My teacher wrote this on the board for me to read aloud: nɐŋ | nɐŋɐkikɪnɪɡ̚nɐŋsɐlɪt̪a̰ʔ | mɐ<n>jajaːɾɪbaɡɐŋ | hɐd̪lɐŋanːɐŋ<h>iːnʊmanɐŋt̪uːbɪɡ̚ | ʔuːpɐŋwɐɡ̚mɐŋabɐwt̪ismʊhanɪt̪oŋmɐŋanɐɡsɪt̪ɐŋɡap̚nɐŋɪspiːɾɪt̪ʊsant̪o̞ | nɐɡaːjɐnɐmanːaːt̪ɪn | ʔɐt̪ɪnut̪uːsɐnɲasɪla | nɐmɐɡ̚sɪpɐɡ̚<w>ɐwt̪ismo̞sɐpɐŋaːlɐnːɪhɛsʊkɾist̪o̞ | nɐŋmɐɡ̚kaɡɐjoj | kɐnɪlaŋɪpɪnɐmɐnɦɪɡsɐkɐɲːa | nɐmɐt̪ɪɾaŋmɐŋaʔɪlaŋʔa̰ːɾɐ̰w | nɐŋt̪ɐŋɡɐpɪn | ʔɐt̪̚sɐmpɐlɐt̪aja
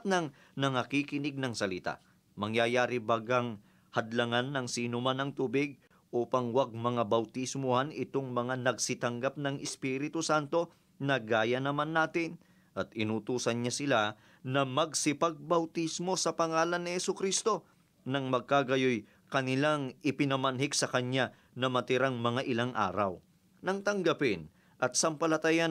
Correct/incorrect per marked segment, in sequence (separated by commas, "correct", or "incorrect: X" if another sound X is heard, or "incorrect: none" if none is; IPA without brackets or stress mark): incorrect: ŋ, incorrect: s, incorrect: b